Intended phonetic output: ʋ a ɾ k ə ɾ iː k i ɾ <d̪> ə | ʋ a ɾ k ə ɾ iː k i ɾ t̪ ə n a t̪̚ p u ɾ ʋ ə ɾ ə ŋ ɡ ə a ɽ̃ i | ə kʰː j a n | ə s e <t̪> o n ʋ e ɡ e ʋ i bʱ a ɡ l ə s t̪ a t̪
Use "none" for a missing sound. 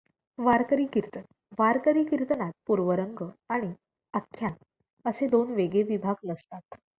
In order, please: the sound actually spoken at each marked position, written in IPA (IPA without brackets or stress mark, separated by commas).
t̪, d̪